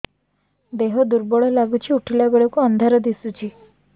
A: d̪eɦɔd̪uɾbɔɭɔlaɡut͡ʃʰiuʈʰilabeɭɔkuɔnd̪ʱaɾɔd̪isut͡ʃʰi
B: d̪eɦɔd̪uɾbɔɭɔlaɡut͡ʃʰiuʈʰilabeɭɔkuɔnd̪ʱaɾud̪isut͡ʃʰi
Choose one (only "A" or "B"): A